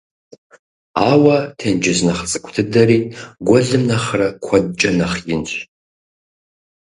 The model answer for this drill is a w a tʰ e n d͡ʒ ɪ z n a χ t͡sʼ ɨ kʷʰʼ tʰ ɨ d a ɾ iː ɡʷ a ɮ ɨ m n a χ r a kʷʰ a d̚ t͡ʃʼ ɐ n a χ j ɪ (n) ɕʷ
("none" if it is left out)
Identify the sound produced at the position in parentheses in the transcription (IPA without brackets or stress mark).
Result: n